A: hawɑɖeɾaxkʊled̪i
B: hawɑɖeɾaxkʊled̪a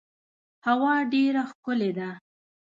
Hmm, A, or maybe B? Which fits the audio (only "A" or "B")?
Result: B